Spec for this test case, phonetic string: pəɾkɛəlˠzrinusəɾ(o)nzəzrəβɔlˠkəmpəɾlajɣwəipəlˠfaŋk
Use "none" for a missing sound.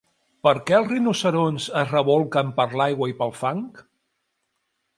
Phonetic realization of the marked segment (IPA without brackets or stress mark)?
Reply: o